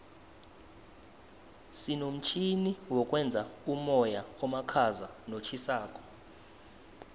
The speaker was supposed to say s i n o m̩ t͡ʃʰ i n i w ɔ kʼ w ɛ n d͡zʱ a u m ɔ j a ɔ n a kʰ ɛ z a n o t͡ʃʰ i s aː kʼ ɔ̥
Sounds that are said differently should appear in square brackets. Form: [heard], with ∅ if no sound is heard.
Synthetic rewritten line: s i n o m̩ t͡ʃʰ i n i w ɔ kʼ w ɛ n d͡zʱ a u m ɔ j a ɔ [m] a kʰ [a] z a n o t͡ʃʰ i s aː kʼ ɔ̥